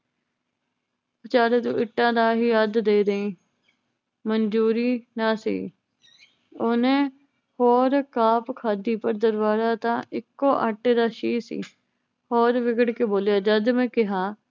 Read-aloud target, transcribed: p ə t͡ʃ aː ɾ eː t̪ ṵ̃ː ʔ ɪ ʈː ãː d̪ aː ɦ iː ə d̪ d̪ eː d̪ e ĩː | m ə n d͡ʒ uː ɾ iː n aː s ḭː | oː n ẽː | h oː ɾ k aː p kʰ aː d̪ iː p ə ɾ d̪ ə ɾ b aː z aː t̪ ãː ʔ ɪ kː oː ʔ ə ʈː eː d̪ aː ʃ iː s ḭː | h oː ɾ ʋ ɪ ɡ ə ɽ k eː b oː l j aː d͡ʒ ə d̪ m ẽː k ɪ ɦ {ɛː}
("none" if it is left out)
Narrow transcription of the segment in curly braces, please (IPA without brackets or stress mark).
aː